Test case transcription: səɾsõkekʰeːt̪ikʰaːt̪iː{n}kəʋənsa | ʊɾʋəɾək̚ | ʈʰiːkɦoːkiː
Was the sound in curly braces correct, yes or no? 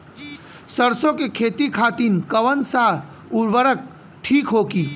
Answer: yes